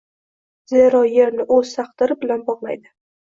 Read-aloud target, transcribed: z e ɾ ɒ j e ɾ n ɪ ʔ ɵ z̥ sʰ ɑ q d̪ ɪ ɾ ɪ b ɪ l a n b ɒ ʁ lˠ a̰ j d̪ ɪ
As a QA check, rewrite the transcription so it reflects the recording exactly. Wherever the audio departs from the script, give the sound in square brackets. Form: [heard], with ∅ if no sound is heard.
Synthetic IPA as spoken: z e ɾ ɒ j e ɾ n ɪ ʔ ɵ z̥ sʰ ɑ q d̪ ɪ ɾ ɪ b ɪ l a n b ɒ ʁ lˠ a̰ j d̪ ɪ

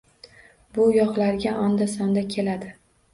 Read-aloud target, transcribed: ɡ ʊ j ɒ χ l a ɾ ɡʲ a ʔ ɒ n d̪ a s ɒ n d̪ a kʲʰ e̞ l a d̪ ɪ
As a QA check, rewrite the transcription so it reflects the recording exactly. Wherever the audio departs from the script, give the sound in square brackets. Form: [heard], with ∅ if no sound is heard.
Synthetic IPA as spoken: [b] ʊ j ɒ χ l a ɾ ɡʲ a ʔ ɒ n d̪ a s ɒ n d̪ a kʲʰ e̞ l a d̪ ɪ

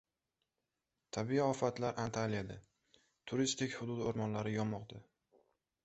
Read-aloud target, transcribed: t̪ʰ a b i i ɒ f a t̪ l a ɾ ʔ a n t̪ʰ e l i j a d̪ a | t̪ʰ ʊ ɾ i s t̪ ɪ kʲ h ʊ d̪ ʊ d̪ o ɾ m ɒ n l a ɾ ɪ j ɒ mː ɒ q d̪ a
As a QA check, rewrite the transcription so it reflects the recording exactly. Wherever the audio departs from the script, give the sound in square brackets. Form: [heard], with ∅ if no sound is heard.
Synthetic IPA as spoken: t̪ʰ a b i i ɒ f a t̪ l a ɾ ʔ a n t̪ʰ [a] l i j a d̪ a | t̪ʰ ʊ ɾ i s t̪ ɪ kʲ h ʊ d̪ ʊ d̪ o ɾ m ɒ n l a ɾ ɪ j ɒ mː ɒ q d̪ a

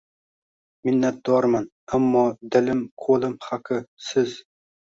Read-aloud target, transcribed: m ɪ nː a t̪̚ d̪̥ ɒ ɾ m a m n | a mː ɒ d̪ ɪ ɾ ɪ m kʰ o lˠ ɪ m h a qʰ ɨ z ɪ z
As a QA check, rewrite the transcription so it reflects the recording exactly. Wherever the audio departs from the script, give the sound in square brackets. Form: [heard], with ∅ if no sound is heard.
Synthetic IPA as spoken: m ɪ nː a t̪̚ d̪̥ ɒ ɾ m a [∅] n | a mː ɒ d̪ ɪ [l] ɪ m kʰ o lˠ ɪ m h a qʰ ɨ [s] ɪ z

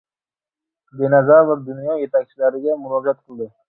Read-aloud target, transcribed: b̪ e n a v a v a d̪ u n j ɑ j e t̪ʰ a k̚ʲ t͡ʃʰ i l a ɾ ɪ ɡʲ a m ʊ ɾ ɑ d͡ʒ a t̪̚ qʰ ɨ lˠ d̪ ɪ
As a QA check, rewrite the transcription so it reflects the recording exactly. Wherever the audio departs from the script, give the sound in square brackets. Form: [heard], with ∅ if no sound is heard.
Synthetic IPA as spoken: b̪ e n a [z] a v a d̪ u n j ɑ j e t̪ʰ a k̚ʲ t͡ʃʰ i l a ɾ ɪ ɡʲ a m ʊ ɾ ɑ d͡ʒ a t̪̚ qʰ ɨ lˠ d̪ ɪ

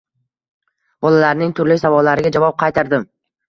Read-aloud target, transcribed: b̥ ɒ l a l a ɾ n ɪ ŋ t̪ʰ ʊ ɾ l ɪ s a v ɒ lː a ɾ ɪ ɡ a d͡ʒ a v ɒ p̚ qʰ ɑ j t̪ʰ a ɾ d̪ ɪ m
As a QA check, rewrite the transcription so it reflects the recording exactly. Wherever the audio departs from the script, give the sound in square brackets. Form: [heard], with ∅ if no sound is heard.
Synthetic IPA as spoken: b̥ ɒ l a l a ɾ n ɪ ŋ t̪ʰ ʊ ɾ l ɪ s a v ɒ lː a ɾ ɪ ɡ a d͡ʒ a v ɒ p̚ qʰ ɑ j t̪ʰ a ɾ d̪ ɪ m

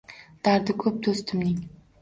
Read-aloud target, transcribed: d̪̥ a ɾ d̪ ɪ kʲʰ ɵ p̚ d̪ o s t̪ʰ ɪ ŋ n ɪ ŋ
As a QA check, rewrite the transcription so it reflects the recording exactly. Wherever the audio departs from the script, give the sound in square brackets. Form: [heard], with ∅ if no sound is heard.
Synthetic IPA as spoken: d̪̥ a ɾ d̪ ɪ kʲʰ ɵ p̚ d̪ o s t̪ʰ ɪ [m] n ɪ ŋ

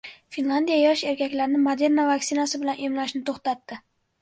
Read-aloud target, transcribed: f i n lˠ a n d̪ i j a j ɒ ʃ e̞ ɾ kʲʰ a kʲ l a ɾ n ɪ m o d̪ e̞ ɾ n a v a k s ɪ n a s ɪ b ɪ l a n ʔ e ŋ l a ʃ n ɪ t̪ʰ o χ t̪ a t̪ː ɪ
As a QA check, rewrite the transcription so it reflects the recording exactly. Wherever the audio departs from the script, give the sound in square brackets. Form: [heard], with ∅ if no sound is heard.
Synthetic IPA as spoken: f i n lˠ a n d̪ i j a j ɒ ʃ e̞ ɾ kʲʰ a kʲ l a ɾ n ɪ m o d̪ e̞ ɾ n a v a k s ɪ n a s ɪ b ɪ l a n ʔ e [m] l a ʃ n ɪ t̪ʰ o χ t̪ a t̪ː ɪ

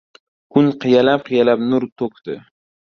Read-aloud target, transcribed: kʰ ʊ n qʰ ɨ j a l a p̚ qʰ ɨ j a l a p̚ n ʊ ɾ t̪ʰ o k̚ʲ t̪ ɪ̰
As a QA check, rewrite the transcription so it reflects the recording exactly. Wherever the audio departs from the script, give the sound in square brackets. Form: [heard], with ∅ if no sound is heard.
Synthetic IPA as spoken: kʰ ʊ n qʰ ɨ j a l a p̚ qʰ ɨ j a l a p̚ n ʊ ɾ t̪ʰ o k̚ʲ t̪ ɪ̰

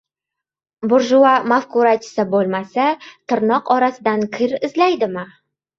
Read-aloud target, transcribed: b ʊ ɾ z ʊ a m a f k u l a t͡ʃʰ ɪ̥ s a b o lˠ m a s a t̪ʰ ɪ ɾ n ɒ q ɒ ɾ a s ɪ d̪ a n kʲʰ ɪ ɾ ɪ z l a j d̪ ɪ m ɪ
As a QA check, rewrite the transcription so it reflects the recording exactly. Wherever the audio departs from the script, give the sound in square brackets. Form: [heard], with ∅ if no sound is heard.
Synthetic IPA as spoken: b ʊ ɾ [ʒ] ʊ a m a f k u [ɾ] a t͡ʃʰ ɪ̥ s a b o lˠ m a s a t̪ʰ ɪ ɾ n ɒ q ɒ ɾ a s ɪ d̪ a n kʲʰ ɪ ɾ ɪ z l a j d̪ ɪ m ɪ

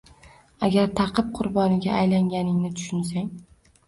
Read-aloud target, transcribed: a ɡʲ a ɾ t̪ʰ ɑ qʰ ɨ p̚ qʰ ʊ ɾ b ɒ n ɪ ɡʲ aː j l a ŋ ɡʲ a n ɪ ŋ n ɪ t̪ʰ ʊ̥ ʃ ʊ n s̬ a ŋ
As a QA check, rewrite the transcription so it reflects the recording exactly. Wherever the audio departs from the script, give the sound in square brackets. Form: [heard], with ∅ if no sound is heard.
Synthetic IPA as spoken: a ɡʲ a ɾ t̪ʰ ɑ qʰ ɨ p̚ qʰ ʊ ɾ b ɒ n ɪ ɡʲ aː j l a ŋ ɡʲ a n ɪ ŋ n ɪ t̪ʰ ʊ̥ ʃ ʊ n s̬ a ŋ

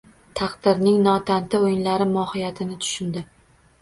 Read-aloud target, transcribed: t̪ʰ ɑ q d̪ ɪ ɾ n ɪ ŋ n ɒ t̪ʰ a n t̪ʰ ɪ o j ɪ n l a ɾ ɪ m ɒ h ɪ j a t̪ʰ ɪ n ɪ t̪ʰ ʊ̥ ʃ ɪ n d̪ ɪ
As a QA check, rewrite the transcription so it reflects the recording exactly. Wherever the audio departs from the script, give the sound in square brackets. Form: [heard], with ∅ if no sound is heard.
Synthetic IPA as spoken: t̪ʰ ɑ q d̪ ɪ ɾ n ɪ ŋ n ɒ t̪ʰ a n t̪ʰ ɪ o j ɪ n l a ɾ ɪ m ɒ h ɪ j a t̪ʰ ɪ n ɪ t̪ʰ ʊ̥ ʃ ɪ n d̪ ɪ

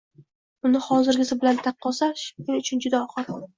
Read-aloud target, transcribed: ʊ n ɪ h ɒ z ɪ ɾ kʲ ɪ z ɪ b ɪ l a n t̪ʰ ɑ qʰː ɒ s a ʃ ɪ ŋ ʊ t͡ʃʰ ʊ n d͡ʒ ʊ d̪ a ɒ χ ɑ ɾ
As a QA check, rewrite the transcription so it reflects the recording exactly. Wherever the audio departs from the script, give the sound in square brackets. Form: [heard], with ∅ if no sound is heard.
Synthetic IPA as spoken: ʊ n ɪ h ɒ z ɪ ɾ [ɡʲ] ɪ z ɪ b ɪ l a n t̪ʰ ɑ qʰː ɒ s a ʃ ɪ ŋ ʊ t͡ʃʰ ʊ n d͡ʒ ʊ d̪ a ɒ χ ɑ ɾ

